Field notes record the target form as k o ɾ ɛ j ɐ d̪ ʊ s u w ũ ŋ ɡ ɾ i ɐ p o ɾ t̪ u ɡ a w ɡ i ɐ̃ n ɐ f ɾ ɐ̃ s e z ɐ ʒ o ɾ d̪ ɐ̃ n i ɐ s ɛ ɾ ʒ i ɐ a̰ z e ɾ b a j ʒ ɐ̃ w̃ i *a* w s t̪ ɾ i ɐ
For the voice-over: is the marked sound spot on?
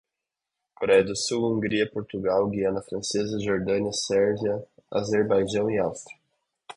yes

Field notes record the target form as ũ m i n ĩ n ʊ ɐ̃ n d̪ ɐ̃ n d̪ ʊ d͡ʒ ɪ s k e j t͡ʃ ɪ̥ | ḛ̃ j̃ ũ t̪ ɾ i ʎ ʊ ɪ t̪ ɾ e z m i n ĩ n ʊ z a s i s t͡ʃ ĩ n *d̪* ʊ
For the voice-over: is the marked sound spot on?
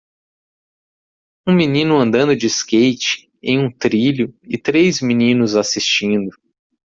yes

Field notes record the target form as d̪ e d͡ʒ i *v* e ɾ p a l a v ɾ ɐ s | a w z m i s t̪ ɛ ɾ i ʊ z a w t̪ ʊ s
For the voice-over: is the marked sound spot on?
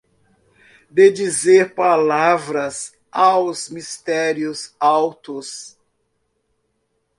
no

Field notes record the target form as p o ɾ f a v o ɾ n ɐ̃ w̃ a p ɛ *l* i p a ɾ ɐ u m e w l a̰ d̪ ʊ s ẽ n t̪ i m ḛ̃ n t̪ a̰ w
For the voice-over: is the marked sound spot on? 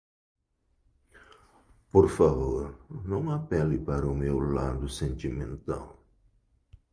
yes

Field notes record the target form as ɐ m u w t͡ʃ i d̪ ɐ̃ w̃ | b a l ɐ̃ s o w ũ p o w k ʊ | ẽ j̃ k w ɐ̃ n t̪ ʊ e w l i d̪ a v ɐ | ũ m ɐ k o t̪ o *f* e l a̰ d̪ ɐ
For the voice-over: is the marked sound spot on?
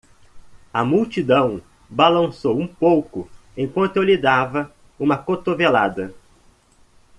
no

